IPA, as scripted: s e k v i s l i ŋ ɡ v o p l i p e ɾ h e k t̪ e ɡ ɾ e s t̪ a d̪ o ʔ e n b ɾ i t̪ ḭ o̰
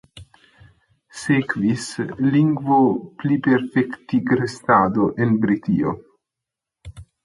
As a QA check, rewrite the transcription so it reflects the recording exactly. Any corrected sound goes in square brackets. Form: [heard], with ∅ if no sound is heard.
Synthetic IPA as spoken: s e k v i s l i ŋ ɡ v o p l i p e ɾ [f] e k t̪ [i] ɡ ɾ e s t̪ a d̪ o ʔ e n b ɾ i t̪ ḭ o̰

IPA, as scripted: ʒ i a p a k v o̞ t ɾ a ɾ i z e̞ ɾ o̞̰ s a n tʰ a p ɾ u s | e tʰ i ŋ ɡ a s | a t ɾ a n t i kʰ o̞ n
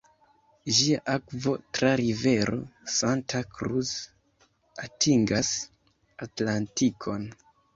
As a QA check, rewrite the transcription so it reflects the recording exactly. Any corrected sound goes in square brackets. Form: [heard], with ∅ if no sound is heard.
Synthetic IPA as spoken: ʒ i a [ʔ] a k v o̞ t ɾ a ɾ i [v] e̞ ɾ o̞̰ s a n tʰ a [k] ɾ u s | [a] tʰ i ŋ ɡ a s | a t [l] a n t i kʰ o̞ n

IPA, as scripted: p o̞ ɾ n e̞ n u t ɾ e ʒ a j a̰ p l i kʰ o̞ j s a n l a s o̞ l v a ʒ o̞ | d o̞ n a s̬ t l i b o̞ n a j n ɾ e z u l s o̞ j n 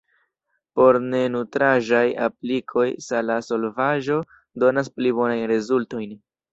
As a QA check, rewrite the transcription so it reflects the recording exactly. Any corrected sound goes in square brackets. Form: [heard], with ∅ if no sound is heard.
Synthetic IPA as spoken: p o̞ ɾ n e̞ n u t ɾ [a] ʒ a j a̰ p l i kʰ o̞ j s a [∅] l a s o̞ l v a ʒ o̞ | d o̞ n a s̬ [p] l i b o̞ n a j n ɾ e z u l [t] o̞ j n

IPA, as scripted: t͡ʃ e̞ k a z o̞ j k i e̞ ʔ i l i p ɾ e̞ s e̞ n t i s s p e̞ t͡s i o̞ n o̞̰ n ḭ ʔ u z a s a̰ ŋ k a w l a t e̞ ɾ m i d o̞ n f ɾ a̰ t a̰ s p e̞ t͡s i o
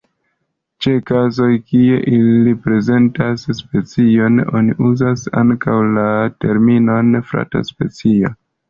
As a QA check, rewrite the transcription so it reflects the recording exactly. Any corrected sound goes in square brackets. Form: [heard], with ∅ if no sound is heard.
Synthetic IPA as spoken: t͡ʃ e̞ k a z o̞ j k i e̞ ʔ i l i p ɾ e̞ [z] e̞ n t [a] s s p e̞ t͡s i o̞ n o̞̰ n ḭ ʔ u z a s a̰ ŋ k a w l a t e̞ ɾ m i [n] o̞ n f ɾ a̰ t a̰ s p e̞ t͡s i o

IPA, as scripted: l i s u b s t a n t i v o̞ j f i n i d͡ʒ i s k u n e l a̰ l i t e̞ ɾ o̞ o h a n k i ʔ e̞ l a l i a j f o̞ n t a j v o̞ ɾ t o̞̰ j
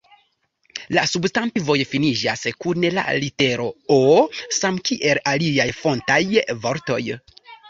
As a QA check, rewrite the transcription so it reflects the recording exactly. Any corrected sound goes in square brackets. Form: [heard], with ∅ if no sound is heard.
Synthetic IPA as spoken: l [a] s u b s t a n t i v o̞ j f i n i d͡ʒ [a] s k u n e l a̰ l i t e̞ ɾ o̞ o [s] a [m] k i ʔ e̞ l a l i a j f o̞ n t a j v o̞ ɾ t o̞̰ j

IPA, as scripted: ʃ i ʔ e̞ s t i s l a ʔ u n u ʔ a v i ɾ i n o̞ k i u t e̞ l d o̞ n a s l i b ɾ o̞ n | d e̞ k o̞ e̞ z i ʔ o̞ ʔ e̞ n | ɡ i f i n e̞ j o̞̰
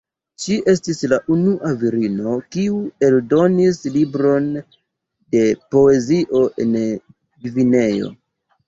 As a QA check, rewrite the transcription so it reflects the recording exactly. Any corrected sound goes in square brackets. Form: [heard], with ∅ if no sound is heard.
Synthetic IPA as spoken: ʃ i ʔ e̞ s t i s l a ʔ u n u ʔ a v i ɾ i n o̞ k i u [∅] e̞ l d o̞ n [i] s l i b ɾ o̞ n | d e̞ [p] o̞ e̞ z i ʔ o̞ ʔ e̞ n | ɡ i [v] i n e̞ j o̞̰

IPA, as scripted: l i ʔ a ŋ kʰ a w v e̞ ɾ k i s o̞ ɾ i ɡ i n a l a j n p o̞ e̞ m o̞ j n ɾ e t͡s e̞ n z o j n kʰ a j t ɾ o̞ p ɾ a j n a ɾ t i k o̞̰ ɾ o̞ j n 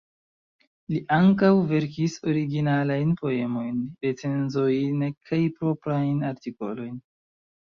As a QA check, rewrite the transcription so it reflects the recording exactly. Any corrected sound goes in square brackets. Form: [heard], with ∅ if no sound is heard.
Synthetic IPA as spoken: l i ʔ a ŋ [k] a w v e̞ ɾ k i s o̞ ɾ i ɡ i n a l a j n p o̞ e̞ m o̞ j n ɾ e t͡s e̞ n z o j n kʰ a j [p] ɾ o̞ p ɾ a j n a ɾ t i k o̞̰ [l] o̞ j n

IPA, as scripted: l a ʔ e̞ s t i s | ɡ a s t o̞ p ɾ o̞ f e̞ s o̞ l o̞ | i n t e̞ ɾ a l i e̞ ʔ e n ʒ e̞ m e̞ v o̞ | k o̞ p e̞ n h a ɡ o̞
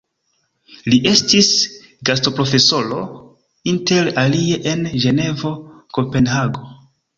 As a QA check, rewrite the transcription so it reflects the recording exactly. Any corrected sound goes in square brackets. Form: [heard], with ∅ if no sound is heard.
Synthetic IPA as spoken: l [i] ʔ e̞ s t i s | ɡ a s t o̞ p ɾ o̞ f e̞ s o̞ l o̞ | i n t e̞ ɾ a l i e̞ ʔ e n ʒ e̞ [n] e̞ v o̞ | k o̞ p e̞ n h a ɡ o̞

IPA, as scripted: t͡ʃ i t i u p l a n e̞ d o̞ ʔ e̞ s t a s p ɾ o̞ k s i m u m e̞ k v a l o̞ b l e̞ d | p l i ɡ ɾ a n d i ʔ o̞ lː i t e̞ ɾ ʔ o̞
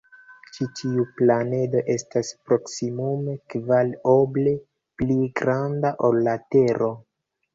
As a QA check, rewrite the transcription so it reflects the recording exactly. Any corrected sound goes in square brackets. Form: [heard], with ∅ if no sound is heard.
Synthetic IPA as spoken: t͡ʃ i t i u p l a n e̞ d o̞ ʔ e̞ s t a s p ɾ o̞ k s i m u m e̞ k v a l o̞ b l e̞ [∅] | p l i ɡ ɾ a n d [a] ʔ o̞ lː [a] t e̞ ɾ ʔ o̞

